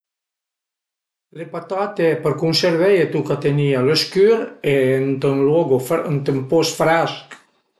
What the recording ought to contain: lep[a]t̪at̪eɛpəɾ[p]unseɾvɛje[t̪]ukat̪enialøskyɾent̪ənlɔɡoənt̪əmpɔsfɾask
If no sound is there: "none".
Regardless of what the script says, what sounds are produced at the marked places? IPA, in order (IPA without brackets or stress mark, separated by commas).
a, k, t̪